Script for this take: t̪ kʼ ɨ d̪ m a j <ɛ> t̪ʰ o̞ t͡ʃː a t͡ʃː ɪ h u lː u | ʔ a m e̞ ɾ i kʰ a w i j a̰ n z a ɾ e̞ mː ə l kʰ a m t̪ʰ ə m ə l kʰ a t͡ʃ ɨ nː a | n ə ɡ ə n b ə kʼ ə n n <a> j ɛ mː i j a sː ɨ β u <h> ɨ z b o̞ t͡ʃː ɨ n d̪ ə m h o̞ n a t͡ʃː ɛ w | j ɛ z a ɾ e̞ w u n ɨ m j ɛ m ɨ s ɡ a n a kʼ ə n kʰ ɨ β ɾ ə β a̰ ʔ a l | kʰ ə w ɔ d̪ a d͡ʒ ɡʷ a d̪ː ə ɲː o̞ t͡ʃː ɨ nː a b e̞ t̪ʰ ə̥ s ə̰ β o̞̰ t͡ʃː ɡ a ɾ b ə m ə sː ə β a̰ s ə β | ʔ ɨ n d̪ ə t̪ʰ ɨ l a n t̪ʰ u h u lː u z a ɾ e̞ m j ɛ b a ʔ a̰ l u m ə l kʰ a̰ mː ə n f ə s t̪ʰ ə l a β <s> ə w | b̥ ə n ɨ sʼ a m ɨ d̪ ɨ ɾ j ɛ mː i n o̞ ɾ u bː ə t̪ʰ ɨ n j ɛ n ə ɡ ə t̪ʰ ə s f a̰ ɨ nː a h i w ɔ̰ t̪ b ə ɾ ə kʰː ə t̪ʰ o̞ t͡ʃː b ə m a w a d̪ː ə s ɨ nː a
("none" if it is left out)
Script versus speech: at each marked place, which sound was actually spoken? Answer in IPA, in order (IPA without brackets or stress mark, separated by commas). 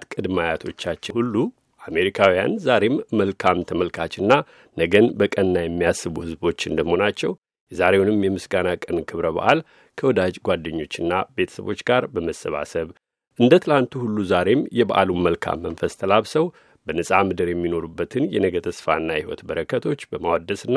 a, a, h, s